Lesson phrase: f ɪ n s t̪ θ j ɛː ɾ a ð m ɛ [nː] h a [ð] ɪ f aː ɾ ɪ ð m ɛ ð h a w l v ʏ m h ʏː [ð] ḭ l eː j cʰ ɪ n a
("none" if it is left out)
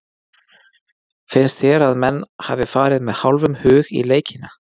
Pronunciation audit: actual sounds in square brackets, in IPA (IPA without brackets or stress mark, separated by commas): nː, v, ɣ